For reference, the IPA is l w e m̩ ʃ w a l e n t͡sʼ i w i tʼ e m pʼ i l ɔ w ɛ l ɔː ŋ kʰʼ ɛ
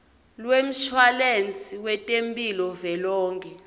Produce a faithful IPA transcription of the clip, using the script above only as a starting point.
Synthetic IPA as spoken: l w e m̩ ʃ w a l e n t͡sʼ i w ɛ tʼ e m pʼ i l ɔ v ɛ l ɔː ŋ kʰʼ ɛ